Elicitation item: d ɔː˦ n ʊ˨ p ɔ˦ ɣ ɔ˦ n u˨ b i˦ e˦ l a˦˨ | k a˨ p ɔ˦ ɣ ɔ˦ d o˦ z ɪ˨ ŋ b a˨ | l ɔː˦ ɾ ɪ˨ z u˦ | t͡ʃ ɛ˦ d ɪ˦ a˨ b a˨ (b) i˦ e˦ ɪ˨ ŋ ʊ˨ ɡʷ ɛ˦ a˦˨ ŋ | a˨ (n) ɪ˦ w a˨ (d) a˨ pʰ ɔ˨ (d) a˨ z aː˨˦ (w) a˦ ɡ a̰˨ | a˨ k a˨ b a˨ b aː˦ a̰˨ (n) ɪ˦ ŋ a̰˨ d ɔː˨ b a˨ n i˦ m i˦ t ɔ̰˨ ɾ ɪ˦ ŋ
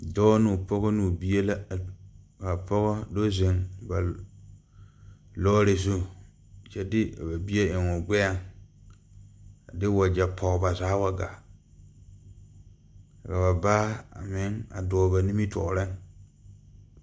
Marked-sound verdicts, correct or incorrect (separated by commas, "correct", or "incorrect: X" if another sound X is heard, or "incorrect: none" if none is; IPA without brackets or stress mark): correct, incorrect: d, incorrect: d͡ʒ, incorrect: b, correct, incorrect: m